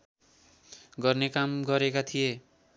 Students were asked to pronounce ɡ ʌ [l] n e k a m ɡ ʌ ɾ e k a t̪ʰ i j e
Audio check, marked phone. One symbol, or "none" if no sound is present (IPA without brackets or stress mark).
r